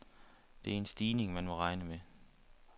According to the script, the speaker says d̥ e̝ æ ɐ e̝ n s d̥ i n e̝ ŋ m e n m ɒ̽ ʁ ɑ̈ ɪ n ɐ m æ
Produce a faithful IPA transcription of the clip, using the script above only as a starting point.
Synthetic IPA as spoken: d̥ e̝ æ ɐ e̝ n s d̥ iː n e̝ ŋ m æ n m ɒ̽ ʁ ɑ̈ ɪ n ə m e